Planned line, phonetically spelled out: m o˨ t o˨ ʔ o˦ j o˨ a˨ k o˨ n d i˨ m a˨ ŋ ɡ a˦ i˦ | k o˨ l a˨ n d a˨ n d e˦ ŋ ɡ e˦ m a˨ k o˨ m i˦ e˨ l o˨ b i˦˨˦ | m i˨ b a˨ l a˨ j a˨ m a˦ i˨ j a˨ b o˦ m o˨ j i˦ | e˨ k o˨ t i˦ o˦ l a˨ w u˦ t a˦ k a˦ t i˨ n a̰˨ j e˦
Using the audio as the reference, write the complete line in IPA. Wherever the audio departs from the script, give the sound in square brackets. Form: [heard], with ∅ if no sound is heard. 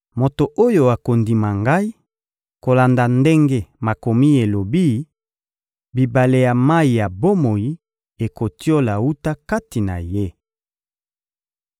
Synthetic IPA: m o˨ t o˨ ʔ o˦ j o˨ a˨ k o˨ n d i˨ m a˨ ŋ ɡ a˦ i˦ | k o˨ l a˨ n d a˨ n d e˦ ŋ ɡ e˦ m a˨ k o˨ m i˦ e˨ l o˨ b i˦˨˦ | [b] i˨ b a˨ l [e˨] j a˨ m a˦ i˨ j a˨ b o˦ m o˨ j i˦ | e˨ k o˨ t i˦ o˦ l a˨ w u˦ t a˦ k a˦ t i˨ n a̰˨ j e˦